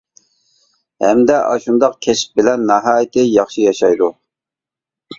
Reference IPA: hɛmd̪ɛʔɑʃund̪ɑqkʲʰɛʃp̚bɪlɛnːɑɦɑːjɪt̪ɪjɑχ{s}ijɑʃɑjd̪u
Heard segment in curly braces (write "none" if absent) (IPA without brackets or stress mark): ʃ